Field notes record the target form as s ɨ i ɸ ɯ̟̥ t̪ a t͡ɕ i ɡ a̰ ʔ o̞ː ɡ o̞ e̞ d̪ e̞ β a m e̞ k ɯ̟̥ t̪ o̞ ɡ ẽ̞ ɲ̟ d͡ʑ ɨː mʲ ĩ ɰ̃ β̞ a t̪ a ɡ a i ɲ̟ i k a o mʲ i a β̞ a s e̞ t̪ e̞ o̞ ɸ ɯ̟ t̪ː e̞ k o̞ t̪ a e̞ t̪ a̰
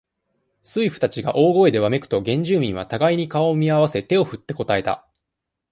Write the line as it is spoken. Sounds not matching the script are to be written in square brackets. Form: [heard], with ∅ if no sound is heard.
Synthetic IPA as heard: s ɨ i ɸ ɯ̟̥ t̪ a t͡ɕ i ɡ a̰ ʔ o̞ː ɡ o̞ e̞ d̪ e̞ β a m e̞ k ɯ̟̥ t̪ o̞ ɡ ẽ̞ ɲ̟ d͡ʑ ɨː mʲ ĩ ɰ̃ β̞ a t̪ a ɡ a i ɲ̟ i k a o mʲ i a β̞ a s e̞ t̪ e̞ o̞ ɸ ɯ̟ t̪ː e̞ k o̞ t̪ a e̞ t̪ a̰